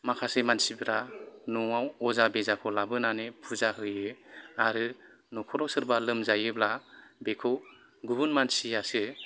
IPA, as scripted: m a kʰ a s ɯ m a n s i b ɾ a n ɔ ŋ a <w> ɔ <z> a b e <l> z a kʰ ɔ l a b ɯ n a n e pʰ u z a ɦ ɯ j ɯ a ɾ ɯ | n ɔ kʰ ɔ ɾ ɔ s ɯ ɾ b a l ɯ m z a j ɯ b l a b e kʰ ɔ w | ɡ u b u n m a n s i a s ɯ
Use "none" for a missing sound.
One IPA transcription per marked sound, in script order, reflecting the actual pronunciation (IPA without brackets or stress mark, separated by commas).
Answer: w, z, none